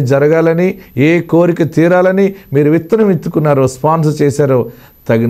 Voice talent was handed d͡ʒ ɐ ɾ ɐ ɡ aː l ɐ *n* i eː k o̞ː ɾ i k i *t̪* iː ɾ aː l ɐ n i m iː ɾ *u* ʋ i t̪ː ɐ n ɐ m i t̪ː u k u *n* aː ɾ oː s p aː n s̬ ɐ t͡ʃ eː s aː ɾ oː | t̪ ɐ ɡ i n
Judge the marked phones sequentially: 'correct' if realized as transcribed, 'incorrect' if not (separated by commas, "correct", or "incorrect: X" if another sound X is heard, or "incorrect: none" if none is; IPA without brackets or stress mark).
correct, correct, correct, incorrect: nː